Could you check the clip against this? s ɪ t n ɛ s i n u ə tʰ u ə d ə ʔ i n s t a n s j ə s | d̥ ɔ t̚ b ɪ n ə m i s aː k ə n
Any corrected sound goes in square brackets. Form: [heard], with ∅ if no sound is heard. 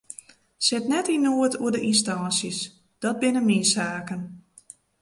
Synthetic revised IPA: s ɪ t n ɛ [t] i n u ə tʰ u ə d ə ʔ i n s t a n s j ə s | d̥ ɔ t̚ b ɪ n ə m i s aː k ə n